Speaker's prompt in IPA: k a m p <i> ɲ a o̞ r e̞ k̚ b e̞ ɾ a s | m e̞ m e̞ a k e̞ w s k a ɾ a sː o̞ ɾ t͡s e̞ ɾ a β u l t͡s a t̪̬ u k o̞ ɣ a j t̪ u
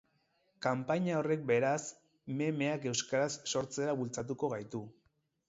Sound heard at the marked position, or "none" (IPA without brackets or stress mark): a